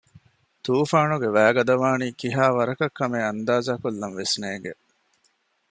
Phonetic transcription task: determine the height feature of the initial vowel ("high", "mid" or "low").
high